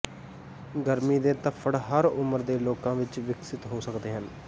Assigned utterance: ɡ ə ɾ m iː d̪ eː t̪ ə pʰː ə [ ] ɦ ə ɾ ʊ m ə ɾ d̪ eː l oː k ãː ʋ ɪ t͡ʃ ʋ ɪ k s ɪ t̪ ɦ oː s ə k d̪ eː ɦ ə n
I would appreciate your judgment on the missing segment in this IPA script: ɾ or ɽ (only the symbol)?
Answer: ɽ